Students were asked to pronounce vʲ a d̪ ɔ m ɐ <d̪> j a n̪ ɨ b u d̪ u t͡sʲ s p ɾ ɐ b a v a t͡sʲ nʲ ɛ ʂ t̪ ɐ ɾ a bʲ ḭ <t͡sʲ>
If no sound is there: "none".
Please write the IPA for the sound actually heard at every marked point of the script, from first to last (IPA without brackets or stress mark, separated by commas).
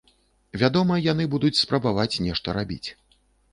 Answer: none, t͡sʲ